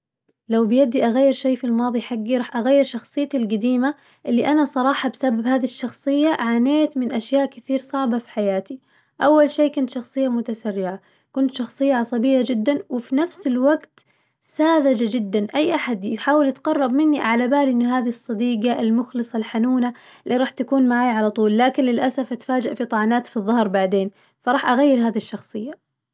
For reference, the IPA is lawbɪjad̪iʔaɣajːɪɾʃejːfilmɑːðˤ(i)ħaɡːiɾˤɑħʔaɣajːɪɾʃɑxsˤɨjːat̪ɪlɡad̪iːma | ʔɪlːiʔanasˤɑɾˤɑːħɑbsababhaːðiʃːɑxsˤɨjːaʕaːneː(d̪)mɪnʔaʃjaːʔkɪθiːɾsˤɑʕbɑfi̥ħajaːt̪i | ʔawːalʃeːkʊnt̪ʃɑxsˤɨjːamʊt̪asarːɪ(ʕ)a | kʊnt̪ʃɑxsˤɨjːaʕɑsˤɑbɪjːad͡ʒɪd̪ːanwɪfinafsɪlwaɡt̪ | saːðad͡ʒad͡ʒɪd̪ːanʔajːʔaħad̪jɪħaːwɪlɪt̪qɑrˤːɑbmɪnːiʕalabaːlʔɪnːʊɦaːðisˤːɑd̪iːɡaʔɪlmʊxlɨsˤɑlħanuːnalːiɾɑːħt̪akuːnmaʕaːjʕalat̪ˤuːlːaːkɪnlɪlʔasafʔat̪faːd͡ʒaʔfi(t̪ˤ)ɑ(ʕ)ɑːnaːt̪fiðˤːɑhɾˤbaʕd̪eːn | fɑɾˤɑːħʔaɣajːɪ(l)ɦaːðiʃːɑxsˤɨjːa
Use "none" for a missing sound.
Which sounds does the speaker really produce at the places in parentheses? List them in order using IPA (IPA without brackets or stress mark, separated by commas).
i, t̪, ʕ, t̪ˤ, ʕ, ɾ